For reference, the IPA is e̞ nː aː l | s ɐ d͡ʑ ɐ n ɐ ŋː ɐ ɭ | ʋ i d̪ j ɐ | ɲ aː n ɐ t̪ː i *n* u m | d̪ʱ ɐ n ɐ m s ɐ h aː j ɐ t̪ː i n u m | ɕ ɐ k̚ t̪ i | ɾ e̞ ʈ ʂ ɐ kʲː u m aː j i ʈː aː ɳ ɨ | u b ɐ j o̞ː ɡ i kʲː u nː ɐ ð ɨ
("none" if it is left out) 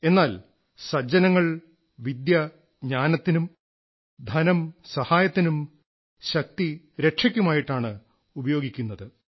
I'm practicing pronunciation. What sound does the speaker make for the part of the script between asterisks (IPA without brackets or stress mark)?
n